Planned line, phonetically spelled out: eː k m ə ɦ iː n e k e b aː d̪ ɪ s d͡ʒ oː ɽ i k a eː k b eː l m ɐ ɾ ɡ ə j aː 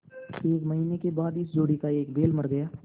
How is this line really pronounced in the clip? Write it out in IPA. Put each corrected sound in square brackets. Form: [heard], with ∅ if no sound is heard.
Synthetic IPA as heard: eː k m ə ɦ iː n e k e b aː d̪ ɪ s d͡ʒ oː ɽ i k a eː k b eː l m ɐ ɾ ɡ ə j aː